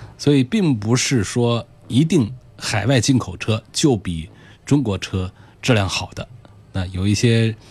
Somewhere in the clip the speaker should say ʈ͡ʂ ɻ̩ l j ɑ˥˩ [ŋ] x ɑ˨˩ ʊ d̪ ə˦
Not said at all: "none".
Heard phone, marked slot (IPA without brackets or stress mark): ŋ